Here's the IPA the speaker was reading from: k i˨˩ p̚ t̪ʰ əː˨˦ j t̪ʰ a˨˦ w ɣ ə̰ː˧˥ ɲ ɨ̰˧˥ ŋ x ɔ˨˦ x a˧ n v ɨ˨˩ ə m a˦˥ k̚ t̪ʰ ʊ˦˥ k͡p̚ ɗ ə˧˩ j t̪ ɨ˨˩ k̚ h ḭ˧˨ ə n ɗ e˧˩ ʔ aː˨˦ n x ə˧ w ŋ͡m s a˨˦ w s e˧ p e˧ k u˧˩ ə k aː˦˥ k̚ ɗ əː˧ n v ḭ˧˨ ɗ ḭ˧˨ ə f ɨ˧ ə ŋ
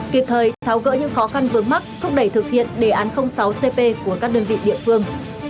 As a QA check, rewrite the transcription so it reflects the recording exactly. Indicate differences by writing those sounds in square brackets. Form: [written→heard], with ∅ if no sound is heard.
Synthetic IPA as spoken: k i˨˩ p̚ t̪ʰ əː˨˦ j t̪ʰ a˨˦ w ɣ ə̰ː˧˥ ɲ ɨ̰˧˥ ŋ x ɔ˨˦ x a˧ n v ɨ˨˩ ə m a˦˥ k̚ t̪ʰ ʊ˦˥ k͡p̚ ɗ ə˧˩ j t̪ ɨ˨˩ k̚ h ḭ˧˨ ə n ɗ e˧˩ ʔ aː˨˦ n x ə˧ w ŋ͡m s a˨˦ w s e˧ p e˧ k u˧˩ ə k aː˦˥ k̚ ɗ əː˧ n v ḭ˧˨ ɗ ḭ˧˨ ə f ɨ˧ ə ŋ

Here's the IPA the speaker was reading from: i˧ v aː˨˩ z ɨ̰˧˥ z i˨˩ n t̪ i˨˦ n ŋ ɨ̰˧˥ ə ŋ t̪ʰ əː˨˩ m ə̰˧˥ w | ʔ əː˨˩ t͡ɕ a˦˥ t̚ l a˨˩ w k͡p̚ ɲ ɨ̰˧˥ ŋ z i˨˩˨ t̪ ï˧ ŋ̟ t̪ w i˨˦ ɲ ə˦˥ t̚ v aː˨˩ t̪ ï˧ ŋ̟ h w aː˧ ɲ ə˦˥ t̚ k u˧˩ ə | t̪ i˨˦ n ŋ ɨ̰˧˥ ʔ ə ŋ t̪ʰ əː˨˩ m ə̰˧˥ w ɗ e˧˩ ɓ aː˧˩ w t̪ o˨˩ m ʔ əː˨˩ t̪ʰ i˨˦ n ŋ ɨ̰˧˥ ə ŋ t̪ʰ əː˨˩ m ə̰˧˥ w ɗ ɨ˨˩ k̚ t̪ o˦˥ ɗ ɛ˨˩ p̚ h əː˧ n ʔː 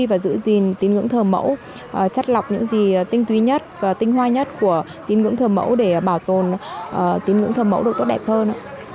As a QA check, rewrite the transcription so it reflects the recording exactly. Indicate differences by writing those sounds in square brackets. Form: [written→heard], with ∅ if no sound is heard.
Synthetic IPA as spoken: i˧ v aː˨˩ z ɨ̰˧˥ z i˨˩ n t̪ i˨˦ n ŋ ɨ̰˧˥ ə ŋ t̪ʰ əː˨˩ m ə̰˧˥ w | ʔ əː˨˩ t͡ɕ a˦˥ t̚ l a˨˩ w k͡p̚ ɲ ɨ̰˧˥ ŋ z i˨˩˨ t̪ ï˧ ŋ̟ t̪ w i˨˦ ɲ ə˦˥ t̚ v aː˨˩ t̪ ï˧ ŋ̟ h w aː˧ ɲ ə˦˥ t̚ k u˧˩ ə | t̪ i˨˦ n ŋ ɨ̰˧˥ [ʔ→∅] ə ŋ t̪ʰ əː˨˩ m ə̰˧˥ w ɗ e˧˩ ɓ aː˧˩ w t̪ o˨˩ [m→n] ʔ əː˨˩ [t̪ʰ→t̪] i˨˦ n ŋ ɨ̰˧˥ ə ŋ t̪ʰ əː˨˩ m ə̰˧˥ w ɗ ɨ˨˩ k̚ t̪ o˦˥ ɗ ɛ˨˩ p̚ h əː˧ n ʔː

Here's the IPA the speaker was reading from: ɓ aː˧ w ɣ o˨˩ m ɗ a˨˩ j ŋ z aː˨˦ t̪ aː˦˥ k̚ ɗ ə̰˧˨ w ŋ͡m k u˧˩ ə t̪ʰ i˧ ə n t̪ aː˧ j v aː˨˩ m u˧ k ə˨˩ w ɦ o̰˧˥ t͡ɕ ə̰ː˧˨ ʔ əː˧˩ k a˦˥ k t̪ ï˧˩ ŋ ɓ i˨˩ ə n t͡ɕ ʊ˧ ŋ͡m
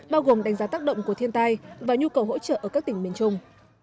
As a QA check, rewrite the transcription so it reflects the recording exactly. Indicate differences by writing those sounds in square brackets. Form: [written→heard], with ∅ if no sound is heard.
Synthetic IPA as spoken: ɓ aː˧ w ɣ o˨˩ m ɗ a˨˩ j ŋ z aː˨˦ t̪ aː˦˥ k̚ ɗ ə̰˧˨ w ŋ͡m k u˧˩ ə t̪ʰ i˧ ə n t̪ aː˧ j v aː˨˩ [m→ɲ] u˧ k ə˨˩ w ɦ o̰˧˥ t͡ɕ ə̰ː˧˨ ʔ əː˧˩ k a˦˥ k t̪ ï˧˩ ŋ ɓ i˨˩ ə n t͡ɕ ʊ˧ ŋ͡m

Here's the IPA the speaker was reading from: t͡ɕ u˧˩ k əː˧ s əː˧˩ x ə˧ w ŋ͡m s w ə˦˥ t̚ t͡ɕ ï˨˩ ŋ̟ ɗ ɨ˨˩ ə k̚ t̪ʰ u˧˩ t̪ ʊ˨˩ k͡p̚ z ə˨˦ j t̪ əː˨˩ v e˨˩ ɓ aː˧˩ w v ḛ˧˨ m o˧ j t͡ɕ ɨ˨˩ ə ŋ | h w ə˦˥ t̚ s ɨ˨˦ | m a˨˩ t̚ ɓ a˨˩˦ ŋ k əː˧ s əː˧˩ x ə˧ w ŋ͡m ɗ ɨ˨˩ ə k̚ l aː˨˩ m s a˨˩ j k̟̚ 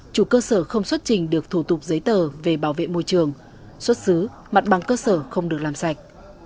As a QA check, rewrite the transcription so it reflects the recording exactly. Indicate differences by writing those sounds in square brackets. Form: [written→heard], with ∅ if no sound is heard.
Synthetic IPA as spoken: t͡ɕ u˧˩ k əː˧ s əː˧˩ x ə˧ w ŋ͡m s w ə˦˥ t̚ t͡ɕ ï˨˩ ŋ̟ ɗ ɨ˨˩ ə k̚ t̪ʰ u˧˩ t̪ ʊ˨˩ k͡p̚ z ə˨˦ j t̪ əː˨˩ v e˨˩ ɓ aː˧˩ w v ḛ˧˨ m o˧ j t͡ɕ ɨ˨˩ ə ŋ | [h→s] w ə˦˥ t̚ s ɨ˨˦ | m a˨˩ t̚ ɓ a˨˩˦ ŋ k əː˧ s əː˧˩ x ə˧ w ŋ͡m ɗ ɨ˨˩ ə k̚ l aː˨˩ m s a˨˩ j k̟̚

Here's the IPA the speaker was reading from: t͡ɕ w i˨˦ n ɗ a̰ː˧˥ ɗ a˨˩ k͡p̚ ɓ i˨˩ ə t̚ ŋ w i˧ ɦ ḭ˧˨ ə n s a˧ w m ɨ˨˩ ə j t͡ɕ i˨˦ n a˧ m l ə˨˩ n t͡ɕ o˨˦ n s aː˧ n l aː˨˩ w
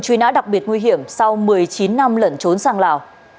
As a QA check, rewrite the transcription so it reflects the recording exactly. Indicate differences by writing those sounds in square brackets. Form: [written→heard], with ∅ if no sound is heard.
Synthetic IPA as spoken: t͡ɕ w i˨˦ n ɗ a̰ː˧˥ ɗ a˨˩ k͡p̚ ɓ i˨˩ ə t̚ ŋ w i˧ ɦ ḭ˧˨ ə [n→m] s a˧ w m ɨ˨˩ ə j t͡ɕ i˨˦ [n→nː] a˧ m l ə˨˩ n t͡ɕ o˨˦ n s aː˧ [n→ŋ] l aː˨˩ w

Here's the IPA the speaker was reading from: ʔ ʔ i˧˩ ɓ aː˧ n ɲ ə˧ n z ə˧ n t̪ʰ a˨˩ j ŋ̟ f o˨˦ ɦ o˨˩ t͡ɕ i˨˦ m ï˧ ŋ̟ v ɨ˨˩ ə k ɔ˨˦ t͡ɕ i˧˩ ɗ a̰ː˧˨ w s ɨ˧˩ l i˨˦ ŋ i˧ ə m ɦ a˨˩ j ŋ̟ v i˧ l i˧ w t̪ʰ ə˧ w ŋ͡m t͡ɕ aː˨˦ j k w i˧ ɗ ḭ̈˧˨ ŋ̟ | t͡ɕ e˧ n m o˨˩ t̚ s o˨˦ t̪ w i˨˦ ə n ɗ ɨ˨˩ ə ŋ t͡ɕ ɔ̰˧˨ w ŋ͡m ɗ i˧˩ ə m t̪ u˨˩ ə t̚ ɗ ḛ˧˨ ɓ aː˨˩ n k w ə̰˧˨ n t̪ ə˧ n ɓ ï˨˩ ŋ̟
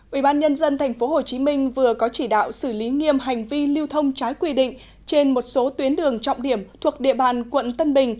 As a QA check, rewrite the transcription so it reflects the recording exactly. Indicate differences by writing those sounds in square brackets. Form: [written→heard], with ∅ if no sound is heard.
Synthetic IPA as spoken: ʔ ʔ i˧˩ ɓ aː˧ n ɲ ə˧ n z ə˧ n t̪ʰ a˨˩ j ŋ̟ f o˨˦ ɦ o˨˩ t͡ɕ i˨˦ m ï˧ ŋ̟ v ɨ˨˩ ə k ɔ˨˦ t͡ɕ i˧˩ ɗ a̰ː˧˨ w s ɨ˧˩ l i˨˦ ŋ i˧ ə m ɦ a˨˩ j ŋ̟ v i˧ l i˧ w t̪ʰ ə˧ w ŋ͡m t͡ɕ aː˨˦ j k w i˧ ɗ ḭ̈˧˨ ŋ̟ | t͡ɕ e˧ n m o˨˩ t̚ s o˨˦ t̪ w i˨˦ ə n ɗ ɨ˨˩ ə ŋ t͡ɕ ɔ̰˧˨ w ŋ͡m ɗ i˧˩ ə m [t̪→t̪ʰ] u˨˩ ə [t̚→k̚] ɗ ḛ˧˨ ɓ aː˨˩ n k w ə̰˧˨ n t̪ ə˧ n ɓ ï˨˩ ŋ̟

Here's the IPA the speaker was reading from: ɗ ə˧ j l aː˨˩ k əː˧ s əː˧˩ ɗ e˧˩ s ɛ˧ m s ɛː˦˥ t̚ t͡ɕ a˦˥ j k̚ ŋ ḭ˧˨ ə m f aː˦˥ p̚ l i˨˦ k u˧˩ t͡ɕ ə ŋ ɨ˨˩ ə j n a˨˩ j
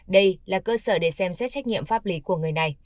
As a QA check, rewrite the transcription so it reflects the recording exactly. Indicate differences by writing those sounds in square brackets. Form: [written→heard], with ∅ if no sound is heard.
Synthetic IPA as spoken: ɗ ə˧ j l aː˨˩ k əː˧ s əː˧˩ ɗ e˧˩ s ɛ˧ m s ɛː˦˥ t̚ t͡ɕ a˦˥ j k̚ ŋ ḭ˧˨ ə m f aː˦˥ p̚ l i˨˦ k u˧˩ [t͡ɕ→∅] ə ŋ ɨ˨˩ ə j n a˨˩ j

